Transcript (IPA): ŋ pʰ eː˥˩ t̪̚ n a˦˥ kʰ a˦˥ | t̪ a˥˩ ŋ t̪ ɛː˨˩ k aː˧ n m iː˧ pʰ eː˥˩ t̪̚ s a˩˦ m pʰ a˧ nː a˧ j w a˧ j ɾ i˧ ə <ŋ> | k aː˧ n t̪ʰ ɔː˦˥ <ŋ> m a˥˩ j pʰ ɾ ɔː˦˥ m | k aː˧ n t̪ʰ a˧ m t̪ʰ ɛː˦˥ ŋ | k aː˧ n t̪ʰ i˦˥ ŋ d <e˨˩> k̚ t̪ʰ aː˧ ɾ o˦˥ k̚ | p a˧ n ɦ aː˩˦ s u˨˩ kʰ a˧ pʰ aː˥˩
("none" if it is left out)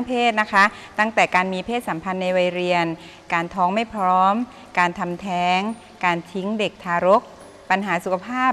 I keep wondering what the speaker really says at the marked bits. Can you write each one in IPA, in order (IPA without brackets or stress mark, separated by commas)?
n, ŋ, e˨˩